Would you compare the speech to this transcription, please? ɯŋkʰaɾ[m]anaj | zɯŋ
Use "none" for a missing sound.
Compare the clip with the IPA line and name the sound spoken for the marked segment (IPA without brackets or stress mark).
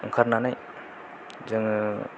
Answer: n